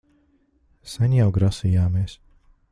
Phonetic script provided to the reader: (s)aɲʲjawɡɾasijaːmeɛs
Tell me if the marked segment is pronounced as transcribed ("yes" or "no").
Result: yes